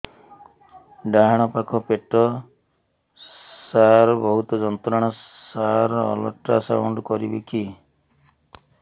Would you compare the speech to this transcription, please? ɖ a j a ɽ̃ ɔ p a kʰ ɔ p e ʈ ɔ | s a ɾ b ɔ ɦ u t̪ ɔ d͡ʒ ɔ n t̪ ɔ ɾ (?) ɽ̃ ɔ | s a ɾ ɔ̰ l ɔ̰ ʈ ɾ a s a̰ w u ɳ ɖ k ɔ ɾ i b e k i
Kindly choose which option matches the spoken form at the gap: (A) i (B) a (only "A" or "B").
B